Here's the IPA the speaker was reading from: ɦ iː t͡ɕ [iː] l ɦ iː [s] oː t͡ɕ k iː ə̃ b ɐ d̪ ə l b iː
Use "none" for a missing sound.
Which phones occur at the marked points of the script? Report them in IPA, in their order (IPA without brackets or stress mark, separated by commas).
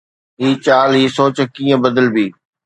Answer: aː, s